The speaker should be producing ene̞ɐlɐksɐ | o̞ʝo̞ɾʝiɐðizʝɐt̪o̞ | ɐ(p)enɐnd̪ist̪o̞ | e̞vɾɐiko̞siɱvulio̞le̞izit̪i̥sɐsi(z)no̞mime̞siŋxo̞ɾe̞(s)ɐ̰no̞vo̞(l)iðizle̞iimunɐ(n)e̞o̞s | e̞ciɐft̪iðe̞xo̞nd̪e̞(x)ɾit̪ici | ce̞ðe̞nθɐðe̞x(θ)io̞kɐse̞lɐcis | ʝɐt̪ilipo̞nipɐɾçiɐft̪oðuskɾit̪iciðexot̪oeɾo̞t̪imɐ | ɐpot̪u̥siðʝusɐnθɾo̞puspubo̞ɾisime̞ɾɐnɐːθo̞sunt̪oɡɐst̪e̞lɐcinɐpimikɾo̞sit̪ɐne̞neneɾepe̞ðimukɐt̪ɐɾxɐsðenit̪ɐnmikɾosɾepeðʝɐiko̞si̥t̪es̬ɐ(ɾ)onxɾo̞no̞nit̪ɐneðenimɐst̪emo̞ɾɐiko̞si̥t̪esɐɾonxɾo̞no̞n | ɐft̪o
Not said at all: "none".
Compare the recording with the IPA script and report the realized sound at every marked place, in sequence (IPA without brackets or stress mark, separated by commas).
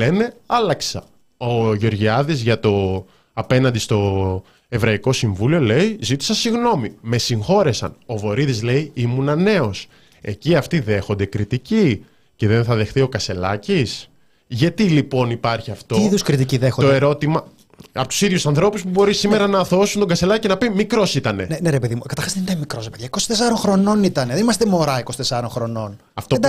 p, ɣ, s, ɾ, n, k, θ, ɾ